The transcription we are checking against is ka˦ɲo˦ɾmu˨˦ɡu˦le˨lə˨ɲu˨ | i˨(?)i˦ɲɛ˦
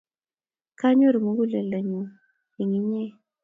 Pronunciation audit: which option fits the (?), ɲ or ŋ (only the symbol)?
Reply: ŋ